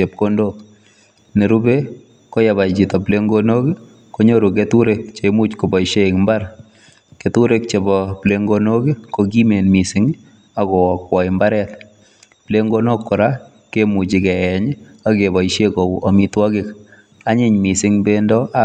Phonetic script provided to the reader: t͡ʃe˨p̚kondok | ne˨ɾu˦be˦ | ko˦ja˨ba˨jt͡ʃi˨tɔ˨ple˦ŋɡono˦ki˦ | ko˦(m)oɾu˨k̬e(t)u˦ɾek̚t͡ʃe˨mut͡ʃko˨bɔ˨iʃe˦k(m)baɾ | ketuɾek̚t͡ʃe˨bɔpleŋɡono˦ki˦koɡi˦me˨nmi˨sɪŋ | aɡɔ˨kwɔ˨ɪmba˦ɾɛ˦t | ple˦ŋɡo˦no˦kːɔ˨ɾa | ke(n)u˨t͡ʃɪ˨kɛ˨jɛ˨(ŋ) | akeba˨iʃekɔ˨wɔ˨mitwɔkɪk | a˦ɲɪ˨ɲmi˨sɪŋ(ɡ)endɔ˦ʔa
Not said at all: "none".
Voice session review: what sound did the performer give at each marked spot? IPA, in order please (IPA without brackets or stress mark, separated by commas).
ɲ, t, m, m, ɲ, b